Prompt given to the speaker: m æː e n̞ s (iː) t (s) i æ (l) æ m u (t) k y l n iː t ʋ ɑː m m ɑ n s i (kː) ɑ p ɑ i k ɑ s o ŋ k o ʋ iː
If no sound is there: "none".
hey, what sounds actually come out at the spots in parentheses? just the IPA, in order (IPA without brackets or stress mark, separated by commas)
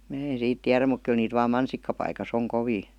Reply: iː, t, r, k, kː